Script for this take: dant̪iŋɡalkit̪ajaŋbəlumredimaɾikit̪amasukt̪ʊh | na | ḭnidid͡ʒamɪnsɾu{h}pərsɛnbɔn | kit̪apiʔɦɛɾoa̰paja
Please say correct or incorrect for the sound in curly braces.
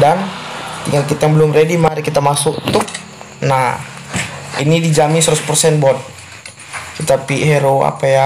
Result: incorrect